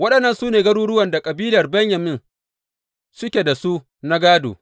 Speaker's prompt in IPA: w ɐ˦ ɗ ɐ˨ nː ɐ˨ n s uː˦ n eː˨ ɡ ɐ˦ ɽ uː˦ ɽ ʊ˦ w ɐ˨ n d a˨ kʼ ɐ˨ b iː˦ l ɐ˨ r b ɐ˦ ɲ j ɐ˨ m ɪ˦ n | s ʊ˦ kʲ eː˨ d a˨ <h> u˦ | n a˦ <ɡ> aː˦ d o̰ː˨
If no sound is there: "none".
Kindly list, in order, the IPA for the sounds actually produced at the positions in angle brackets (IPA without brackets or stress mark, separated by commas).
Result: s, ɡ